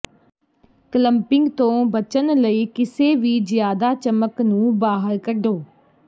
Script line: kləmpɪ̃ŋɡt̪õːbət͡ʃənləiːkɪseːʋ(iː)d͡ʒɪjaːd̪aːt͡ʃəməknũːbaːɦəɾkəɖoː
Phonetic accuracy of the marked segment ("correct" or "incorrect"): correct